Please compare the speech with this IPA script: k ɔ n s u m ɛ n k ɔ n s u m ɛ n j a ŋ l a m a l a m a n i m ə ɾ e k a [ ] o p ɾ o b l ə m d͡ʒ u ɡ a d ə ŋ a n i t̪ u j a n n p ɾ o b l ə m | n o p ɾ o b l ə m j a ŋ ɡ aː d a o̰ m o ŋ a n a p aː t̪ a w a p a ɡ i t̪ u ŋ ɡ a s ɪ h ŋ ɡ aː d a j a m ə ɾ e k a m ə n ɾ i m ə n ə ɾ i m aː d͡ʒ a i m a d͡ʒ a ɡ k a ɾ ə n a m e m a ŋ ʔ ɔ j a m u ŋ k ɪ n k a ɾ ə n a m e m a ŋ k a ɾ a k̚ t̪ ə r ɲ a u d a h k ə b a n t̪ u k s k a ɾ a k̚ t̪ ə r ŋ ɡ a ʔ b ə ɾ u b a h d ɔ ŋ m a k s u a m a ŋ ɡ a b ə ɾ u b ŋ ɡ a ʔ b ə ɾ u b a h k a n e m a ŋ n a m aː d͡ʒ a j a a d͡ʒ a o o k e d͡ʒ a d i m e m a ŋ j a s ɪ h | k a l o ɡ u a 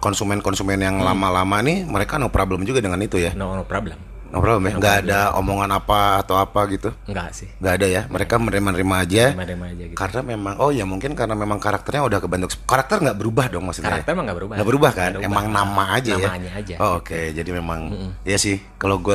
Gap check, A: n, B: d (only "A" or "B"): A